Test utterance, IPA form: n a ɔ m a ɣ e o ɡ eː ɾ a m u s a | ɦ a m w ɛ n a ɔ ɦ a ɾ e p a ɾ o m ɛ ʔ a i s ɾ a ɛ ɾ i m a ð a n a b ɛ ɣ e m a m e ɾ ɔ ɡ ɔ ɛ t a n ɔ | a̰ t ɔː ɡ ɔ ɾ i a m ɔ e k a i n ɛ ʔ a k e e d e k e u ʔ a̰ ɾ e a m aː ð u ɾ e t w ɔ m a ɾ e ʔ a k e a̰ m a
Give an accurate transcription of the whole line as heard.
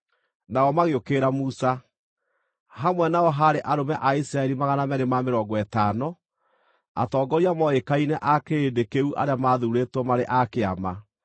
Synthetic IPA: n a ɔ m a ɣ e o k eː ɾ a m u s a | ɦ a m w ɛ n a ɔ ɦ a ɾ e ʔ a ɾ o m ɛ ʔ a i s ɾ a ɛ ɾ i m a ɣ a n a m ɛ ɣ e m a m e ɾ ɔ ɡ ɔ ɛ t a n ɔ | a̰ t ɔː ɡ ɔ ɾ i a m ɔ e k a i n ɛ ʔ a k e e d e k e u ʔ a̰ ɾ e a m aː ð u ɾ e t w ɔ m a ɾ e ʔ a k e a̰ m a